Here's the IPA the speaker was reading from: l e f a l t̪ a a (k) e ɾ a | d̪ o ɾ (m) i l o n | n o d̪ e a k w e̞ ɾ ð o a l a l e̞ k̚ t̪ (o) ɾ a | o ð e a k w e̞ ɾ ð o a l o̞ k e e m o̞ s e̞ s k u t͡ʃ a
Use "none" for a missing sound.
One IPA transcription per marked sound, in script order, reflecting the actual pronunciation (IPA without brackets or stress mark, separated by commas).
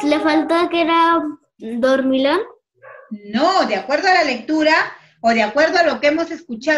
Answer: k, m, u